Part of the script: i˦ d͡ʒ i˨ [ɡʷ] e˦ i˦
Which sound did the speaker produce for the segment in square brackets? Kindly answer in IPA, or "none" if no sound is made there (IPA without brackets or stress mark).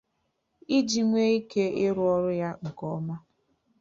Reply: ŋʷ